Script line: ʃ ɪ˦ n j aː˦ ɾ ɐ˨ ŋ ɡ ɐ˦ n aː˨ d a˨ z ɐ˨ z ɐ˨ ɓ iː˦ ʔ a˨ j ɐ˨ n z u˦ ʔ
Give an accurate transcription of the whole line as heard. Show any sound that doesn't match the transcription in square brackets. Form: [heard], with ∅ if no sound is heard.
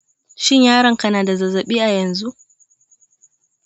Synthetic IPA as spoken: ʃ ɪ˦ [ɲ] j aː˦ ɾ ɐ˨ ŋ [k] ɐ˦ n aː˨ d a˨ z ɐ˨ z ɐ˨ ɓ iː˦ ʔ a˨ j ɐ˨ n z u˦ ʔ